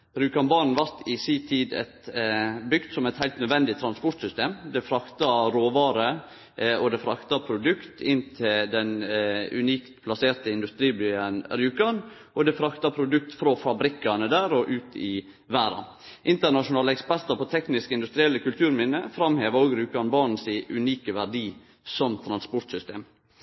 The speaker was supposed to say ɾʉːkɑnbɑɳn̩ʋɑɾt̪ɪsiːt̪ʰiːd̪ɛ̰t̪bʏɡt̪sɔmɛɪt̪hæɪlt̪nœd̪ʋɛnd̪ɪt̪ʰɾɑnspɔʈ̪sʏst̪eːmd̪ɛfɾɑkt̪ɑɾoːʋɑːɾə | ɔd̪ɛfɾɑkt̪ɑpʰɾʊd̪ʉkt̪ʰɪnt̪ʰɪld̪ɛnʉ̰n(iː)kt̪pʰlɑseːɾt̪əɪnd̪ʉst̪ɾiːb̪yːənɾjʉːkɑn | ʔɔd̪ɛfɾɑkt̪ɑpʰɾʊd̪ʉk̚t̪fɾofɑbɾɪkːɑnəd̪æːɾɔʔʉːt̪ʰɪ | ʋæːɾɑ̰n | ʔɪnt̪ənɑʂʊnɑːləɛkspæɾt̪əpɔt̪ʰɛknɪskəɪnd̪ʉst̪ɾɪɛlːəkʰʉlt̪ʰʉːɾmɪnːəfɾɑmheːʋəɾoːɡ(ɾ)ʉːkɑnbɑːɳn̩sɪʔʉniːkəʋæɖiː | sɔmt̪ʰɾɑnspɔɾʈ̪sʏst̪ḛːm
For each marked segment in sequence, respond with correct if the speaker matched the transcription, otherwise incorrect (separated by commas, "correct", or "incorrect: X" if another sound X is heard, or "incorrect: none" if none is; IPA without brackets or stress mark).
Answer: correct, correct